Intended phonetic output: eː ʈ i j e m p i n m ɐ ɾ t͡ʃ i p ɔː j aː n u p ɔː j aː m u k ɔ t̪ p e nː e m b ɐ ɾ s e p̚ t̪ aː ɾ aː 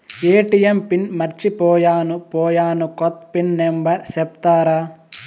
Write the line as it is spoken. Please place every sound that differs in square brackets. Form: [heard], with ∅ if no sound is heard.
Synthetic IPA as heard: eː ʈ i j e m p i n m ɐ ɾ t͡ʃ i p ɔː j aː n u p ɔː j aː [n] u k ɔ t̪ p [i] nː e m b ɐ ɾ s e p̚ t̪ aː ɾ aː